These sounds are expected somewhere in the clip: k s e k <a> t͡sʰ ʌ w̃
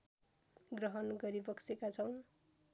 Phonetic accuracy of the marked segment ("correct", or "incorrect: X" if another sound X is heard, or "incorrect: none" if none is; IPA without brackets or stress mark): correct